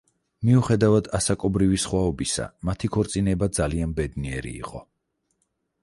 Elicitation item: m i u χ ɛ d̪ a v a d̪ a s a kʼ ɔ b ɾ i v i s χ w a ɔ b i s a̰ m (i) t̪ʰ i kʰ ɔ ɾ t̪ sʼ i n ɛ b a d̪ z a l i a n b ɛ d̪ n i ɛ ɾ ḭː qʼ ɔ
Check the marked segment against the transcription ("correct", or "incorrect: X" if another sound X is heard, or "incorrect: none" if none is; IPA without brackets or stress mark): incorrect: a